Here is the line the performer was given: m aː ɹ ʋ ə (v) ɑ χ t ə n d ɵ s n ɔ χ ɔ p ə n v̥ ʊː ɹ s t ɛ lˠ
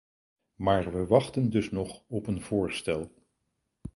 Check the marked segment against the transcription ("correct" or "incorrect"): incorrect